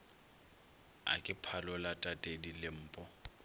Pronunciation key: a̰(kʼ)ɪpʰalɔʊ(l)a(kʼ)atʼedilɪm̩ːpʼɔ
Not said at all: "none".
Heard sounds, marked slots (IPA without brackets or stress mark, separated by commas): kʼ, l, tʼ